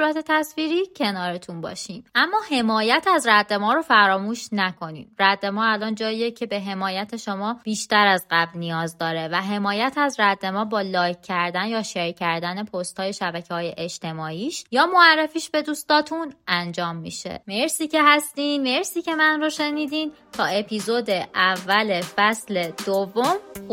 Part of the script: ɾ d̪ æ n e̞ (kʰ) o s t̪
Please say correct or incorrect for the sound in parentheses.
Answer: incorrect